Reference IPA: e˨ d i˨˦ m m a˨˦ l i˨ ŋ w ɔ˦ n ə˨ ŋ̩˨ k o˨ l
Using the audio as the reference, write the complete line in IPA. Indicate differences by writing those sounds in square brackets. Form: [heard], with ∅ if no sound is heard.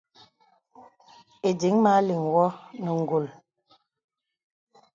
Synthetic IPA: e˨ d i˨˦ [ŋ] m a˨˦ l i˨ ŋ w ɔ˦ n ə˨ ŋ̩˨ [ɡ] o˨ l